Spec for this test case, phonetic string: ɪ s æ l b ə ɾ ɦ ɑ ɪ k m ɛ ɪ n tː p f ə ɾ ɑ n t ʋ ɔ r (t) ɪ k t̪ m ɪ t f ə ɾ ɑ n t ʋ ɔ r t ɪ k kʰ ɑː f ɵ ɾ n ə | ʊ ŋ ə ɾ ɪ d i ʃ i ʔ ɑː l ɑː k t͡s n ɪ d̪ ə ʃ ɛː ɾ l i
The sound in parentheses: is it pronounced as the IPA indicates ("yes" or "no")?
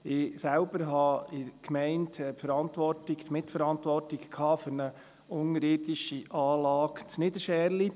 yes